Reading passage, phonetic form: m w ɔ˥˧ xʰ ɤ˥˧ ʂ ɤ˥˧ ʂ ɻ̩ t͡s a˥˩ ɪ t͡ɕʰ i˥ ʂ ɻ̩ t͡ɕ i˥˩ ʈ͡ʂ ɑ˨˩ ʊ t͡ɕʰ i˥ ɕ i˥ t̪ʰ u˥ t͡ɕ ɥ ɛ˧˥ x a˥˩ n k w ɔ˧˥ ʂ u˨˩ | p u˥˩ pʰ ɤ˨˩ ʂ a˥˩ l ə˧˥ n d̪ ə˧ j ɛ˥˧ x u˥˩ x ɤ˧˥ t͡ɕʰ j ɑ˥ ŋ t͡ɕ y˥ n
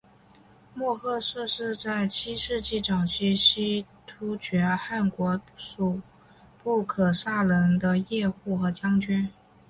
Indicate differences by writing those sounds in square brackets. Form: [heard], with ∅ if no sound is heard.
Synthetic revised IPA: m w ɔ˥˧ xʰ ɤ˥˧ ʂ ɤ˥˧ ʂ ɻ̩ t͡s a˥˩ ɪ t͡ɕʰ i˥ ʂ ɻ̩ t͡ɕ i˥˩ ʈ͡ʂ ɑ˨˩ ʊ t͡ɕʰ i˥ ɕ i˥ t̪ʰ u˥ t͡ɕ ɥ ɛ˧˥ x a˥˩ n k w ɔ˧˥ ʂ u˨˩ | p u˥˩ [kʰ] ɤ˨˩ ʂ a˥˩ l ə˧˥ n d̪ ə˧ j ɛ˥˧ x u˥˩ x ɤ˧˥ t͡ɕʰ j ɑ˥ ŋ t͡ɕ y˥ n